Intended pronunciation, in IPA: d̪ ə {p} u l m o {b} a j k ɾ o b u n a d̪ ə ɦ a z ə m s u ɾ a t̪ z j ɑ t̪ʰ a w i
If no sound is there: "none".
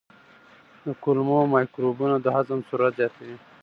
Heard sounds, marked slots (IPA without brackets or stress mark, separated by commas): k, m